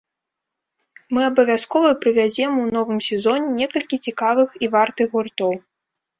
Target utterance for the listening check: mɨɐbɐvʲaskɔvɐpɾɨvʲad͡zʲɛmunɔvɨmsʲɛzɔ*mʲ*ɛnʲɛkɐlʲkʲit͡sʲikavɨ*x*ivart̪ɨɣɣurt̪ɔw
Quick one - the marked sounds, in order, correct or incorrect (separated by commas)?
incorrect, correct